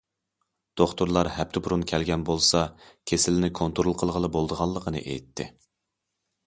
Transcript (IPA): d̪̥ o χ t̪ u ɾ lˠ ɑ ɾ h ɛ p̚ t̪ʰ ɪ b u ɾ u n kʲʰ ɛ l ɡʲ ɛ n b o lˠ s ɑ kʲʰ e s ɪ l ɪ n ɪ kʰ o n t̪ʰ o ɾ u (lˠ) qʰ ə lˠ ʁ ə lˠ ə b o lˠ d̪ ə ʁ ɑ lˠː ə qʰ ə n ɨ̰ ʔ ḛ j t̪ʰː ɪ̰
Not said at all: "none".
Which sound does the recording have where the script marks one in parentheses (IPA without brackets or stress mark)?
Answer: lˠ